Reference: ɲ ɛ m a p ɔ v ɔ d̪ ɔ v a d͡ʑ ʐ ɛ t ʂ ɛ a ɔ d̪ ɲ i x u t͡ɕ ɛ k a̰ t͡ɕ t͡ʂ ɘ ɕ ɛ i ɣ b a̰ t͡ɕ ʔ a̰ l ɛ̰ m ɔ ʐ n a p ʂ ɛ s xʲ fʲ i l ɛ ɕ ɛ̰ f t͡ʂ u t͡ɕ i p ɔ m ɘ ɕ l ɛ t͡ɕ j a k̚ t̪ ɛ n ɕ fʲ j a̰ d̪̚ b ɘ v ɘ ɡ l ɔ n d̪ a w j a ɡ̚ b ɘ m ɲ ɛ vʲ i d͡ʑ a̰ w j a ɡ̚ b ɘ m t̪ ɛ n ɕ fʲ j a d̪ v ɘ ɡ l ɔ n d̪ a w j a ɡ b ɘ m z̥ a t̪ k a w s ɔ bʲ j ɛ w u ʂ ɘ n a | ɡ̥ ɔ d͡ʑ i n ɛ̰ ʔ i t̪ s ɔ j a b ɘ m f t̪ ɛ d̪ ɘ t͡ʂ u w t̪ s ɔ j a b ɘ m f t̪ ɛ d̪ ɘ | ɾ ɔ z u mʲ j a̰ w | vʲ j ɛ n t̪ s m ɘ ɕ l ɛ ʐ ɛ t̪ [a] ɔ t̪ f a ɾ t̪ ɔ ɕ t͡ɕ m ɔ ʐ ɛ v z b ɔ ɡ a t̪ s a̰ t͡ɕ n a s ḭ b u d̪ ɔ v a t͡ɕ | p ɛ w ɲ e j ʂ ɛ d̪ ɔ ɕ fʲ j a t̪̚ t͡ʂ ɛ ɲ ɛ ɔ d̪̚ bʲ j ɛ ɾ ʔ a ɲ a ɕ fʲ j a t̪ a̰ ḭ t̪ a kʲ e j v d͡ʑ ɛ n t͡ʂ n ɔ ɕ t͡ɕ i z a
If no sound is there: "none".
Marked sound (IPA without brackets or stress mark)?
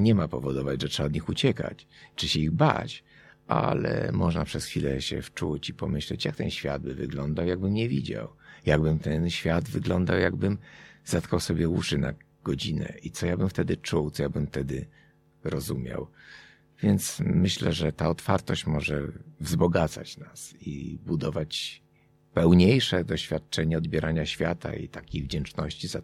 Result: a